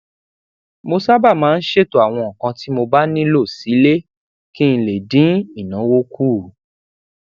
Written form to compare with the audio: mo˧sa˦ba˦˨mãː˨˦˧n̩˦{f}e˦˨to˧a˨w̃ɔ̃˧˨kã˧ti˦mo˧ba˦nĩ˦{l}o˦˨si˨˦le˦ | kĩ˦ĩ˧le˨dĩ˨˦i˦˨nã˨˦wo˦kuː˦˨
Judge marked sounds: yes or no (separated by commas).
no, yes